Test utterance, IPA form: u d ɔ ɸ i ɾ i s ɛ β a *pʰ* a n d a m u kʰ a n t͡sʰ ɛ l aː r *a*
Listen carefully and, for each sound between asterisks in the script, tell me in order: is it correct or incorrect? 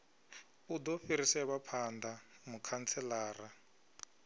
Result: correct, correct

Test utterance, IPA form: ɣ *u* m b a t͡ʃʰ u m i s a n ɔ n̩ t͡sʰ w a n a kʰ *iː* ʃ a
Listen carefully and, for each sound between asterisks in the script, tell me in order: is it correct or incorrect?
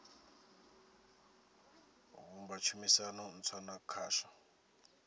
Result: correct, incorrect

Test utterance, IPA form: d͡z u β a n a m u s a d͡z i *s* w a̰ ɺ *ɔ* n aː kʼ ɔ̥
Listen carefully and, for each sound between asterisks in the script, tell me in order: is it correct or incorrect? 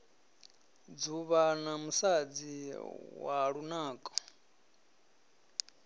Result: incorrect, incorrect

